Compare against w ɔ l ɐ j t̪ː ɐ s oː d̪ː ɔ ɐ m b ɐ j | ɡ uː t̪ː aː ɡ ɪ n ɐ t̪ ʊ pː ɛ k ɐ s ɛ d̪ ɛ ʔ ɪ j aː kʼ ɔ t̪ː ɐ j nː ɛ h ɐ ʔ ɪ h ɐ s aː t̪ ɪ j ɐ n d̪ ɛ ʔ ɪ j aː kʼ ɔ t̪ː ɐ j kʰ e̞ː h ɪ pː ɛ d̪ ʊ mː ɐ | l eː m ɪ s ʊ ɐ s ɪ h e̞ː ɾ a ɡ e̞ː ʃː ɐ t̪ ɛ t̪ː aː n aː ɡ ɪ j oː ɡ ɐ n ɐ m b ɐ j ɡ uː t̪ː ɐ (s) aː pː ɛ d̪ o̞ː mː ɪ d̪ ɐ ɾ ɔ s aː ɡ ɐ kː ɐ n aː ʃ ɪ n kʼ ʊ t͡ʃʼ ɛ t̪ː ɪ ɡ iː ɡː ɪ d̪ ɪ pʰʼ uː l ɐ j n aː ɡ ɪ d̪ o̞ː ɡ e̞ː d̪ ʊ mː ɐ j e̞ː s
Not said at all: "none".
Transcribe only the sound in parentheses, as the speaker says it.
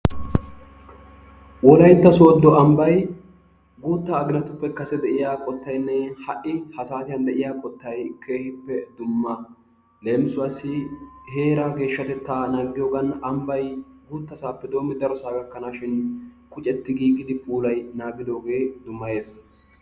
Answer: s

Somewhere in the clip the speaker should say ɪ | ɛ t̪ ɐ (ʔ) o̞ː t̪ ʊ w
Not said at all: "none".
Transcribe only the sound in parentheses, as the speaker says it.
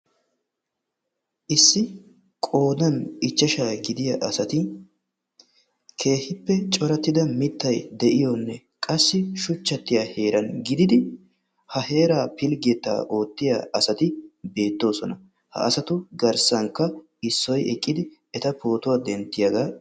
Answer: p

